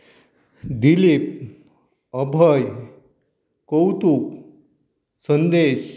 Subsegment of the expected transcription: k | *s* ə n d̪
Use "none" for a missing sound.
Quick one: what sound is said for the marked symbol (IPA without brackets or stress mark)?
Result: s